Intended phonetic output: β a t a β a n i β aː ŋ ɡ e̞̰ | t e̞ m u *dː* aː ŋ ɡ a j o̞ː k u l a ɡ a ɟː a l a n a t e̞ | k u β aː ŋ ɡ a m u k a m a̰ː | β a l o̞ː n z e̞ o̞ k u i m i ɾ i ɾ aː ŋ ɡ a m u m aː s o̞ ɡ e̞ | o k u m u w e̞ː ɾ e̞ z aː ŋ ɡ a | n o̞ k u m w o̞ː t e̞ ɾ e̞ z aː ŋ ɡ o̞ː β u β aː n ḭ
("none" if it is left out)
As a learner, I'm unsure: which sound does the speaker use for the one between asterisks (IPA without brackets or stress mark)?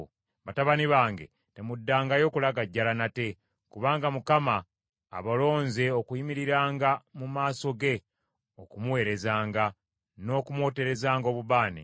dː